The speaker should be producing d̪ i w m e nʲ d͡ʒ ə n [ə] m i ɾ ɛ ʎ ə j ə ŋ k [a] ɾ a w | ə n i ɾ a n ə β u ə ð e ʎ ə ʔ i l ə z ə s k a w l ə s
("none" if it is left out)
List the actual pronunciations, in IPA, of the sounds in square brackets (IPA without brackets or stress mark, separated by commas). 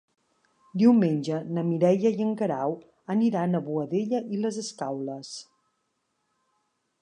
ə, ə